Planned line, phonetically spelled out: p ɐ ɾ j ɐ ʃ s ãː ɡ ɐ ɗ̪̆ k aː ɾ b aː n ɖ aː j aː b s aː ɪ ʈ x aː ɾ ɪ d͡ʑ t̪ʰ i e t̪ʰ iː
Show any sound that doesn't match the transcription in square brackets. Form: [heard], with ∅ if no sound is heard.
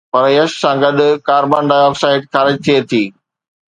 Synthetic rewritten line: p ɐ ɾ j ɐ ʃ s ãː ɡ ɐ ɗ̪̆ k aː ɾ b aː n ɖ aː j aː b s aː ɪ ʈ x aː ɾ ɪ d͡ʑ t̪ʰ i e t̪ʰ iː